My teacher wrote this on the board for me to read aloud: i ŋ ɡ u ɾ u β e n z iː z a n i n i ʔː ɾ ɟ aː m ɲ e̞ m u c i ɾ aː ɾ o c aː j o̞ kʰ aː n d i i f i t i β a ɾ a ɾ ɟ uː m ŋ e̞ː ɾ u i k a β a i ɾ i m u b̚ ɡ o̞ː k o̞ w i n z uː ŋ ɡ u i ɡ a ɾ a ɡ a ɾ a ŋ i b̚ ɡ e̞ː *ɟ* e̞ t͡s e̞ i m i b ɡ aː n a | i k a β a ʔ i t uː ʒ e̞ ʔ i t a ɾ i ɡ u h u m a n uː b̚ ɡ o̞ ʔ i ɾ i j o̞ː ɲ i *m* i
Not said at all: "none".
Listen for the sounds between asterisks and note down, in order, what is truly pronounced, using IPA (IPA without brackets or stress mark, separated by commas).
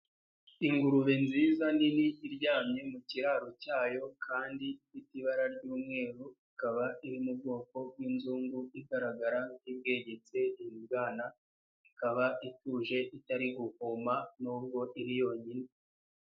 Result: ɟ, n